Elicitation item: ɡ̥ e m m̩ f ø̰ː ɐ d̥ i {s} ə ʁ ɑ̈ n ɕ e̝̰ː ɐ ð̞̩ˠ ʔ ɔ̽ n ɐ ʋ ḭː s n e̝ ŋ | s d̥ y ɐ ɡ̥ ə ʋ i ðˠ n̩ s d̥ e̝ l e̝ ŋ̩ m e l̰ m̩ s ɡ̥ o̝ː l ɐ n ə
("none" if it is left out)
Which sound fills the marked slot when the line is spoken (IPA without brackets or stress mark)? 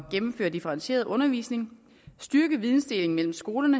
f